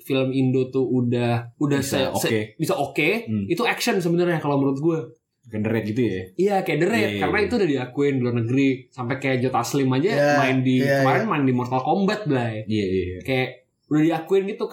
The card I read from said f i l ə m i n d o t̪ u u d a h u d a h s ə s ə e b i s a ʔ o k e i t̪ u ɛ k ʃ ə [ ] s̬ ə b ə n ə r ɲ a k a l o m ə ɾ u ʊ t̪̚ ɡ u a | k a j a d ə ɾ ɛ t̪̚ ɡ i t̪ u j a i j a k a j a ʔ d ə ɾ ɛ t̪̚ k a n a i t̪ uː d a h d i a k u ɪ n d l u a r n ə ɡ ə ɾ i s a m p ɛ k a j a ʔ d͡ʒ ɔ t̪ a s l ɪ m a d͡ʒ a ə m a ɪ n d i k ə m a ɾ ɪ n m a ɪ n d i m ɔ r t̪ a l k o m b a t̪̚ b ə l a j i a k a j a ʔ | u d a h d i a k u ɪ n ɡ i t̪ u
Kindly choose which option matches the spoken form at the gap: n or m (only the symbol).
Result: n